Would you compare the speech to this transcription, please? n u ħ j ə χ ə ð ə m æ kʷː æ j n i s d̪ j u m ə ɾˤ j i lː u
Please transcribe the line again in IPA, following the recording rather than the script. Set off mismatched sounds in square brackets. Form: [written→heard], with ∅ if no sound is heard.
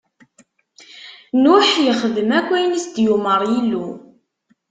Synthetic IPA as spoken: n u ħ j ə χ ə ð ə m æ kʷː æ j n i s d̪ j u m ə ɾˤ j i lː u